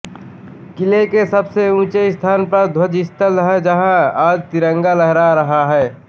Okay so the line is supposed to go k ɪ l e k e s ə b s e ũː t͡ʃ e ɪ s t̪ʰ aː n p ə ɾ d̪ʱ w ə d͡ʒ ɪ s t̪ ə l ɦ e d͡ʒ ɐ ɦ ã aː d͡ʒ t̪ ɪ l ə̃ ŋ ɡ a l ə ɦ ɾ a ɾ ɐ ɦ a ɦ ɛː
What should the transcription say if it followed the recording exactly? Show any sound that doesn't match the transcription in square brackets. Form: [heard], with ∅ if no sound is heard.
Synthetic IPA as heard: k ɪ l e k e s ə b s e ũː t͡ʃ e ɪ s t̪ʰ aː n p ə ɾ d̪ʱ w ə d͡ʒ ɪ s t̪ ə l ɦ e d͡ʒ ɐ ɦ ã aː d͡ʒ t̪ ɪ [ɾ] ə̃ ŋ ɡ a l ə ɦ ɾ a ɾ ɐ ɦ a ɦ ɛː